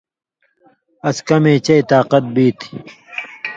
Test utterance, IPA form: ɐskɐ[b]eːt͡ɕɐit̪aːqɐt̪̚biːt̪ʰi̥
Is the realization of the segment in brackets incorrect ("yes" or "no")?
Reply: yes